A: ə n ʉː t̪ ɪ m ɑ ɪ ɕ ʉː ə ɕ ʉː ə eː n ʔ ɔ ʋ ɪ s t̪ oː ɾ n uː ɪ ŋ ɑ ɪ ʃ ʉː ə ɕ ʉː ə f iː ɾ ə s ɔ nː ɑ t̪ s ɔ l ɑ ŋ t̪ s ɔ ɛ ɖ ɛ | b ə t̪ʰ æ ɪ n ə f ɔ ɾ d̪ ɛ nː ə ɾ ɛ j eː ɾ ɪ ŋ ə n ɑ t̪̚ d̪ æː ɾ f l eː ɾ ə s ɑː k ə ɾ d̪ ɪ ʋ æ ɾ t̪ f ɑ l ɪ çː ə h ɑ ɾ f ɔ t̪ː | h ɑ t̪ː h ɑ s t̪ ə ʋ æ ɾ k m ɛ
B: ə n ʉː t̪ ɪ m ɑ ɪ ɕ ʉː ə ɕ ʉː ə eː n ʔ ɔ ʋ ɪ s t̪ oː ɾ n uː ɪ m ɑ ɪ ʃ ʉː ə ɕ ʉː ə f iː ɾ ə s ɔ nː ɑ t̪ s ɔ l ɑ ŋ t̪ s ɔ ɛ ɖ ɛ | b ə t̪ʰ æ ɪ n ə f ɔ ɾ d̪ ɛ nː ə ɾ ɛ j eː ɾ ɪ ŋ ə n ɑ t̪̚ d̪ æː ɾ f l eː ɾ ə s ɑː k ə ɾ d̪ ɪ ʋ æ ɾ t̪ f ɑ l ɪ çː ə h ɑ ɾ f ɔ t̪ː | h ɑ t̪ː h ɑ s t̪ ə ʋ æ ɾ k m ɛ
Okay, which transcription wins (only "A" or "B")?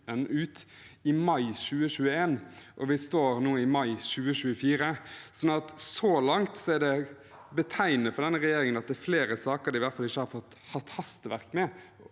B